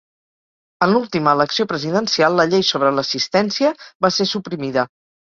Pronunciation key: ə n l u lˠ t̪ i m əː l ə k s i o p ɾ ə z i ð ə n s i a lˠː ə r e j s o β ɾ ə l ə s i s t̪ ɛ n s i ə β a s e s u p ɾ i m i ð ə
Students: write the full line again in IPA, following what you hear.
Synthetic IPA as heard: ə n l u lˠ t̪ i m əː l ə k s i o p ɾ ə z i ð ə n s i a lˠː ə ʎ e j s o β ɾ ə l ə s i s t̪ ɛ n s i ə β a s e s u p ɾ i m i ð ə

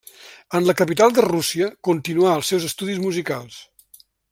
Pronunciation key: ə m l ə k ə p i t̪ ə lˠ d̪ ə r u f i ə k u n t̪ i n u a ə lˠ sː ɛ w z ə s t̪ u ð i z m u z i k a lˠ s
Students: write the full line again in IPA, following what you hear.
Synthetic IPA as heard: ə n l ə k ə p i t̪ a lˠ d̪ ə r u s i ə k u n t̪ i n u a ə lˠ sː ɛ w z ə s t̪ u ð i z m u z i k a lˠ s

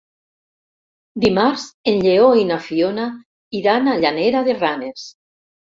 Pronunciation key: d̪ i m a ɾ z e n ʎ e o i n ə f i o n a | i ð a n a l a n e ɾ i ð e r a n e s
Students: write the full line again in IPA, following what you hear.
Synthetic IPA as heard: d̪ i m a ɾ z e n ʎ e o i n a f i o n a | i ð a n a ʎ a n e ɾ a ð e r a n e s

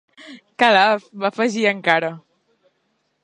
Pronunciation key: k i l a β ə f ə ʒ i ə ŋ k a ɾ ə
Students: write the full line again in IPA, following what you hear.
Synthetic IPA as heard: k a l a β a f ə ʒ i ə ŋ k a ɾ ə

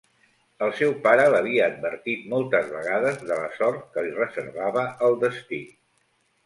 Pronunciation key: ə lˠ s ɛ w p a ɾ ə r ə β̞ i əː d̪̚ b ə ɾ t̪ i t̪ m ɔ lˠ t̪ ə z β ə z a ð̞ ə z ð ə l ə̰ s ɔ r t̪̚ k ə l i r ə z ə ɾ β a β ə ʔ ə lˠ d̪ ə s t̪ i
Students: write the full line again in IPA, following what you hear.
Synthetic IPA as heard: ə lˠ s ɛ w p a ɾ ə l ə β̞ i əː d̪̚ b ə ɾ t̪ i t̪ m ɔ lˠ t̪ ə z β ə ɣ a ð̞ ə z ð ə l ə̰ s ɔ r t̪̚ k ə l i r ə z ə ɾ β a β ə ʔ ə lˠ d̪ ə s t̪ i

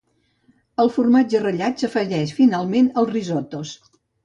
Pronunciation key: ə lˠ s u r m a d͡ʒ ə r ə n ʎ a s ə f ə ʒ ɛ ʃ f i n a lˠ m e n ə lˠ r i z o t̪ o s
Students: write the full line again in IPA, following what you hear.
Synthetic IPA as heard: ə lˠ f u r m a d͡ʒ ə r ə ʎ a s ə f ə ʒ ɛ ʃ f i n a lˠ m e n ə lˠ r i z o t̪ o s

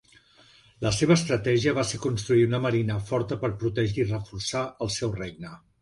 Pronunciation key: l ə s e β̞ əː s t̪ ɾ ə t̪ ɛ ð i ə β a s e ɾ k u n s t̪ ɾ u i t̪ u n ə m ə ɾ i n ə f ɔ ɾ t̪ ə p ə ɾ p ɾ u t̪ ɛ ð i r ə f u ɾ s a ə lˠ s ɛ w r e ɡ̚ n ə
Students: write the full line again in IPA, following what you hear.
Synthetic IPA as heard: l ə s e β̞ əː s t̪ ɾ ə t̪ ɛ ʒ i ə β a s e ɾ k u n s t̪ ɾ u i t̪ u n ə m ə ɾ i n ə f ɔ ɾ t̪ ə p ə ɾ p ɾ u t̪ ɛ ʒ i r ə f u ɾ s a ə lˠ s ɛ w r e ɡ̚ n ə

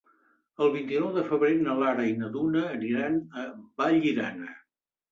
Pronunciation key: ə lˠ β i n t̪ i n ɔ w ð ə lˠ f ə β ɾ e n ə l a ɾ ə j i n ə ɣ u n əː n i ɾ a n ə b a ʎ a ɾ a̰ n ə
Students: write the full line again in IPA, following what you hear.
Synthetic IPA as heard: ə lˠ β i n t̪ i n ɔ w ð ə f ə β ɾ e n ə l a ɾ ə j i n ə ð u n əː n i ɾ a n ə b a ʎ i ɾ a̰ n ə

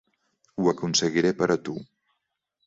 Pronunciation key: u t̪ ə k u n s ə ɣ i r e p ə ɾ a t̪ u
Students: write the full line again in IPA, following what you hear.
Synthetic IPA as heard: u ə k u n s ə ɣ i ɾ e p ə ɾ ə t̪ u

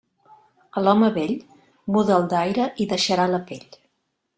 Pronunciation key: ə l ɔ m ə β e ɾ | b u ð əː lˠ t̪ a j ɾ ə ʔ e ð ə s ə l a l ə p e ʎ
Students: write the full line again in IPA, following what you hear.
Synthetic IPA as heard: ə l ɔ m ə β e ʎ | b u ð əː lˠ d̪ a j ɾ ə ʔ i ð ə ʃ ə ɾ a l ə p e ʎ

